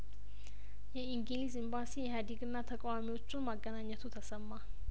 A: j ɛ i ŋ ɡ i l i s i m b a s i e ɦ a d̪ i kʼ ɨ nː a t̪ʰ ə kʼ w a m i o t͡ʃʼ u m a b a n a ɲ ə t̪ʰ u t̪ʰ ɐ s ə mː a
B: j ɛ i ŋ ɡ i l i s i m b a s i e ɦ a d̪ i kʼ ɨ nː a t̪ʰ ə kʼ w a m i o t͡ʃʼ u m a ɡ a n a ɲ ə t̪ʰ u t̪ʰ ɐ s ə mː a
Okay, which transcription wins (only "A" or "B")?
B